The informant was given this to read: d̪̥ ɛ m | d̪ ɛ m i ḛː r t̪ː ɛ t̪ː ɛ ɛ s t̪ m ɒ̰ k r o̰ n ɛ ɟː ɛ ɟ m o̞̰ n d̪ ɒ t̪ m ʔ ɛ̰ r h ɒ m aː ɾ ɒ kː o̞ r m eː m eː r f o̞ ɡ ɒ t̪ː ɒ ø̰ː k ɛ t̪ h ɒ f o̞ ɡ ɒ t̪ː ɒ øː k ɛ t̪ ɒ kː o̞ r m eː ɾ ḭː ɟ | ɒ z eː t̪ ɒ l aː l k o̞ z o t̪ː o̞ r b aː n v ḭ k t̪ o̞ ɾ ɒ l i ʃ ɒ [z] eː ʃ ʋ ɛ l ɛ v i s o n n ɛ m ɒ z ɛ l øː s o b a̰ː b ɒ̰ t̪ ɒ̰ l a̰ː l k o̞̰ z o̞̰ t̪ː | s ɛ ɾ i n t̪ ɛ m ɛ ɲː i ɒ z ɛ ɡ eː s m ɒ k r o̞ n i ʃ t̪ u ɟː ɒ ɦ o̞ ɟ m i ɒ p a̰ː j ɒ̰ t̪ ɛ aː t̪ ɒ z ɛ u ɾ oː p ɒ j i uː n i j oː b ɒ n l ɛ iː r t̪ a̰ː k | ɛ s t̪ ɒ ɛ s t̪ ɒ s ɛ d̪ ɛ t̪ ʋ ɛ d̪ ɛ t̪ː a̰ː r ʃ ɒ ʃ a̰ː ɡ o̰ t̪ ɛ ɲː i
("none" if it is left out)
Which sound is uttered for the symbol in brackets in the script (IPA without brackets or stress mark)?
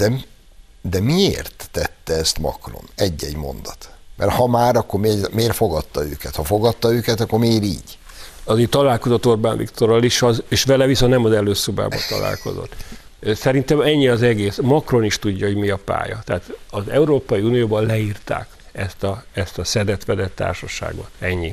z